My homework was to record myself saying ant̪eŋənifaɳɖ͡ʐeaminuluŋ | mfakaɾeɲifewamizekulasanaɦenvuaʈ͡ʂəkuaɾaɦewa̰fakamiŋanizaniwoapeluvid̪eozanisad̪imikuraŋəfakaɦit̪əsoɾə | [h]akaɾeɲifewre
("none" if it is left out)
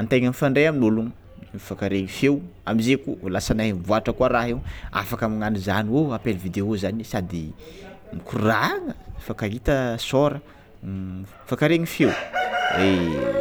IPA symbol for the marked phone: f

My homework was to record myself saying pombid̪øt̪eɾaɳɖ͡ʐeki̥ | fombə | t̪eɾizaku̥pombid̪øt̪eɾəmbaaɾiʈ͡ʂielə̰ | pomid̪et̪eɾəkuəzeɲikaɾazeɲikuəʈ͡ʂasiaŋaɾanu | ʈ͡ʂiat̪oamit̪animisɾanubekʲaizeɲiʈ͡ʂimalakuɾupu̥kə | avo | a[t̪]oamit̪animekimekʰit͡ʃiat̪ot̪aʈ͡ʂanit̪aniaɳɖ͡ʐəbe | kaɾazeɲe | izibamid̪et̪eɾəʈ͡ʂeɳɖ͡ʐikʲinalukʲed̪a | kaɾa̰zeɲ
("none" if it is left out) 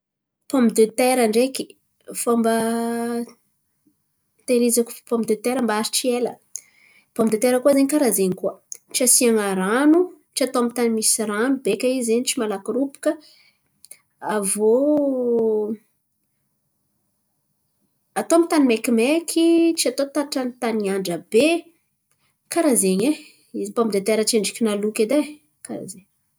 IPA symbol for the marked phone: t̪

